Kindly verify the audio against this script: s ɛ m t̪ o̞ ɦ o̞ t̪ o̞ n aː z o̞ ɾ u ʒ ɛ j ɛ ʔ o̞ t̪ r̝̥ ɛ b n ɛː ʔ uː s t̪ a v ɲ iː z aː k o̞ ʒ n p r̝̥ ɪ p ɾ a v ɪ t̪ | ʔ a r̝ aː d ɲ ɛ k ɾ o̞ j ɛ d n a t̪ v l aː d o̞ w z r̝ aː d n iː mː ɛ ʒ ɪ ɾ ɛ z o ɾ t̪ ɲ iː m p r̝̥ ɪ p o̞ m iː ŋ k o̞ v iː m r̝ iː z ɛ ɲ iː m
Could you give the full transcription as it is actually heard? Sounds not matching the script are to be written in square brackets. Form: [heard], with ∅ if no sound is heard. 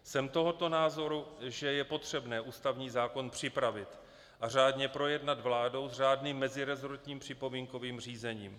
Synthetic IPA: s ɛ m t̪ o̞ ɦ o̞ t̪ o̞ n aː z o̞ ɾ u ʒ ɛ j ɛ [p] o̞ t̪ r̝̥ ɛ b n ɛː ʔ uː s t̪ a v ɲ iː z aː k o̞ [∅] n p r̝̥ ɪ p ɾ a v ɪ t̪ | ʔ a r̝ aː d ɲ ɛ [p] ɾ o̞ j ɛ d n a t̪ v l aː d o̞ w z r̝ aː d n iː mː ɛ [z] ɪ ɾ ɛ z o ɾ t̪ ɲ iː m p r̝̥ ɪ p o̞ m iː ŋ k o̞ v iː m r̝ iː z ɛ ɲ iː m